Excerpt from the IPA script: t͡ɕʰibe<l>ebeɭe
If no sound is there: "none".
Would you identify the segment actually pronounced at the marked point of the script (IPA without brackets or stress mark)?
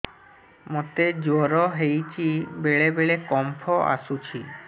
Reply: ɭ